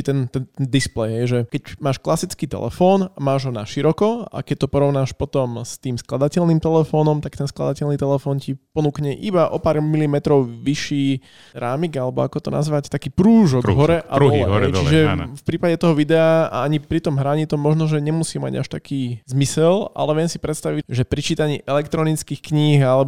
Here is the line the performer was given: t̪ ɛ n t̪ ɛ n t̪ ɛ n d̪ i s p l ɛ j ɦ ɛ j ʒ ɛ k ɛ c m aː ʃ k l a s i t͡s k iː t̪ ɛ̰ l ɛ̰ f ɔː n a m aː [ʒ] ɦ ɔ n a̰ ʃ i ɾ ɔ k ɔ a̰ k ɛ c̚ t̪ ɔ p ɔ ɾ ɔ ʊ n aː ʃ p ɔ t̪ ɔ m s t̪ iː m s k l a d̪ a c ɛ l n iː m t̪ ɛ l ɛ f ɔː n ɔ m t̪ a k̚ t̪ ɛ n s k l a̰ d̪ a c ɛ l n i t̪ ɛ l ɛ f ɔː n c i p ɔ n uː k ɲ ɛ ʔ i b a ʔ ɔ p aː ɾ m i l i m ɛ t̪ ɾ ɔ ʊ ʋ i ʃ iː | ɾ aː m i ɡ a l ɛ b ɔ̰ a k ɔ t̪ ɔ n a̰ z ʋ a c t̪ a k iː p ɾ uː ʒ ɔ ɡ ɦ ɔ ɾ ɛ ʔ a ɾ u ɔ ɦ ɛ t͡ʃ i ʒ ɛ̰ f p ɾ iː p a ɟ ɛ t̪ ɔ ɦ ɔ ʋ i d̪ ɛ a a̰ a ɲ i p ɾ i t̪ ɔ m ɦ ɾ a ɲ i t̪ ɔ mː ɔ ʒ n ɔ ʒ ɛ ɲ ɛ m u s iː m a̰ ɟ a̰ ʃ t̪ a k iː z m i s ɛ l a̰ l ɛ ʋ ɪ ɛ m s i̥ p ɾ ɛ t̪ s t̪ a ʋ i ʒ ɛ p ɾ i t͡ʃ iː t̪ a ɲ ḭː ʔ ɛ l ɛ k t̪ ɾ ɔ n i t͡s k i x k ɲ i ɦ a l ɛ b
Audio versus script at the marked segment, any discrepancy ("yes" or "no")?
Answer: no